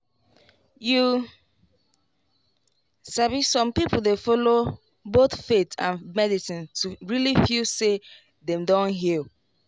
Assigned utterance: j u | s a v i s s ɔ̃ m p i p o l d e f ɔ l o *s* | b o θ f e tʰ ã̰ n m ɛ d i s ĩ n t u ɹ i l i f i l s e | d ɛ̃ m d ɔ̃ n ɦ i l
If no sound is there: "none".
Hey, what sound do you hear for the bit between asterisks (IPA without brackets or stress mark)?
none